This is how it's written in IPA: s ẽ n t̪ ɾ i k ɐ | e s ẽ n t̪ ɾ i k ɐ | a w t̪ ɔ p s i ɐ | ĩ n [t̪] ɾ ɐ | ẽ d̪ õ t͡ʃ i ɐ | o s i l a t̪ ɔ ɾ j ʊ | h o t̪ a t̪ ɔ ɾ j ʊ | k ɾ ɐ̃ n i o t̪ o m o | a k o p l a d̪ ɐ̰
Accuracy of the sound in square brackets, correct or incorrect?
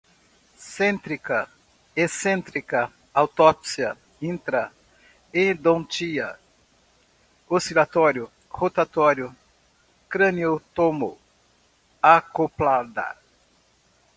correct